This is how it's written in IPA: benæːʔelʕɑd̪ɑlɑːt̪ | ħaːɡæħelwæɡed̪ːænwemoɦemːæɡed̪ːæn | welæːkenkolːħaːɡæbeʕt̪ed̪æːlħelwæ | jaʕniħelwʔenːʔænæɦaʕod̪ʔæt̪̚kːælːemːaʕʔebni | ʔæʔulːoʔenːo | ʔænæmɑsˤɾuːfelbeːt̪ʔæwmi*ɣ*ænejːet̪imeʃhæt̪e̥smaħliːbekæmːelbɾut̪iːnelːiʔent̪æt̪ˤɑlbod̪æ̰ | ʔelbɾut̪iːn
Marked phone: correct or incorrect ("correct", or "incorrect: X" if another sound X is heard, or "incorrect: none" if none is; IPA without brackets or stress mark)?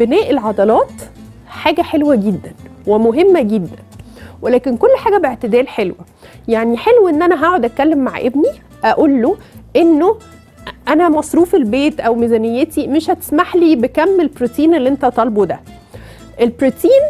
incorrect: z